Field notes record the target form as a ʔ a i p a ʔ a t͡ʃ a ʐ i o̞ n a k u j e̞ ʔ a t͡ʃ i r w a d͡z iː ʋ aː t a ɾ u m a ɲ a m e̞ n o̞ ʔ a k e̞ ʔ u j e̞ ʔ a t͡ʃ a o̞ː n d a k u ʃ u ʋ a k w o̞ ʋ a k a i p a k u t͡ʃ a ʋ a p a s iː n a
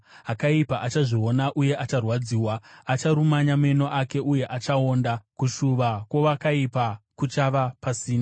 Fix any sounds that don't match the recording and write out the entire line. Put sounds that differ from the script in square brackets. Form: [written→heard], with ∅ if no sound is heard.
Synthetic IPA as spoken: a [ʔ→k] a i p a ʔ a t͡ʃ a ʐ i o̞ n a [k→ʔ] u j e̞ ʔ a t͡ʃ [i→a] r w a d͡z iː [ʋ→w] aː [t→t͡ʃ] a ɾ u m a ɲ a m e̞ n o̞ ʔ a k e̞ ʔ u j e̞ ʔ a t͡ʃ a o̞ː n d a k u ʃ u ʋ a k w o̞ ʋ a k a i p a k u t͡ʃ a ʋ a p a s iː n a